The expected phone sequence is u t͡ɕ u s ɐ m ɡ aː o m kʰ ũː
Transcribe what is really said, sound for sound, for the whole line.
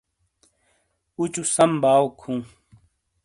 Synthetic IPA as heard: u t͡ɕ u s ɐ m b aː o kʰ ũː

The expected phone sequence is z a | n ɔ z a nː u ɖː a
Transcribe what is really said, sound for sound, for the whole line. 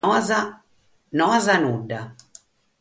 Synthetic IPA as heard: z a | n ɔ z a n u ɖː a

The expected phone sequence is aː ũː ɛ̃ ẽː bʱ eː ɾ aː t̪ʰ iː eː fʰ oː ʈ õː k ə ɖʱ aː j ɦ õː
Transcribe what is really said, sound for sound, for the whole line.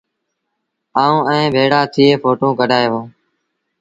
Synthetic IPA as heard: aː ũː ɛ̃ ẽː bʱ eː ɽ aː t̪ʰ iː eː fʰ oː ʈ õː k ə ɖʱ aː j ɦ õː

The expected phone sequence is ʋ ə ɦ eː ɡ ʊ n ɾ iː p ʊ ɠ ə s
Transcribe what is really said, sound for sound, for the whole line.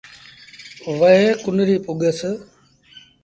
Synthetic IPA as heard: ʋ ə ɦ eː k ʊ n ɾ iː p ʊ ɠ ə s

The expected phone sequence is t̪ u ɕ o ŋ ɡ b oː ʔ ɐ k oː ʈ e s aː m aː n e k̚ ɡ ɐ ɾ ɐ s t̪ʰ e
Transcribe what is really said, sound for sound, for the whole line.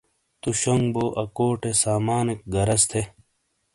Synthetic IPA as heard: t̪ u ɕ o ŋ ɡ b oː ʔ ɐ k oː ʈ e s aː m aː n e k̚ ɡ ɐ ɾ ɐ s t̪ʰ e

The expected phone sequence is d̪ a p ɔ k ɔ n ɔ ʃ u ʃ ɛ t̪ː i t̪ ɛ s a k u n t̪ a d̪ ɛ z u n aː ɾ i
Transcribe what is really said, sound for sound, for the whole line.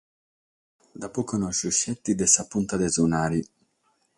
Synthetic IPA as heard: d̪ a p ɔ k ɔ n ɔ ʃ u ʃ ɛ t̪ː i d̪ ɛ s a p u n t̪ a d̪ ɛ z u n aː ɾ i

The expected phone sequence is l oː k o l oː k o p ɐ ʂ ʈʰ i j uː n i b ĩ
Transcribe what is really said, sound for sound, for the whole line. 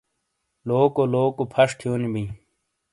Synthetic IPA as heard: l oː k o l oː k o pʰ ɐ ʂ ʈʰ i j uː n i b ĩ

